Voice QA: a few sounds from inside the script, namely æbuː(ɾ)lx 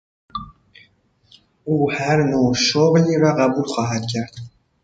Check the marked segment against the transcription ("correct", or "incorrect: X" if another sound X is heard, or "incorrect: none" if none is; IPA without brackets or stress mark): incorrect: none